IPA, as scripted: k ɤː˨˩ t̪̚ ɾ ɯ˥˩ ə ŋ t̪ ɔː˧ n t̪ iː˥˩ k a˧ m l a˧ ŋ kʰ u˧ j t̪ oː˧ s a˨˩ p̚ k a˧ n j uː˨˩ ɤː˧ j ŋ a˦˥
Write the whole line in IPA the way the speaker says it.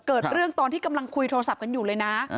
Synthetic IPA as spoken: k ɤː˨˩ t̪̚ ɾ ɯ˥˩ ə ŋ t̪ ɔː˧ n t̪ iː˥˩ k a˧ m l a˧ ŋ kʰ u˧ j t̪ʰ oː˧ s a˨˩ p̚ k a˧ n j uː˨˩ ɤː˧ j n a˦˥